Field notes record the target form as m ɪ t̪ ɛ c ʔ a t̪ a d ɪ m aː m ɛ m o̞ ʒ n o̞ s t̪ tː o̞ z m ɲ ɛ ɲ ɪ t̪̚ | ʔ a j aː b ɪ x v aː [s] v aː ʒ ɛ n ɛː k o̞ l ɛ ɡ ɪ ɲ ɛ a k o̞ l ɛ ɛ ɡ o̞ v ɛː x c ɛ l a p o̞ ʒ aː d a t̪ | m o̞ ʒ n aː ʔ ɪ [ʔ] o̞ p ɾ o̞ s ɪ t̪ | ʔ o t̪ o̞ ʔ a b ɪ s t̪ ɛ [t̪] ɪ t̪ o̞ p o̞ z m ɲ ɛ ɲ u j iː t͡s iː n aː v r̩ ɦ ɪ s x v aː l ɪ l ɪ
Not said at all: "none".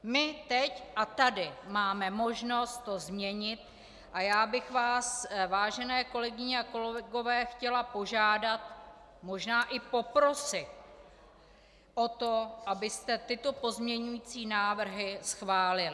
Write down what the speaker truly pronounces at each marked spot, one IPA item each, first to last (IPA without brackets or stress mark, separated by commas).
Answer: s, p, t̪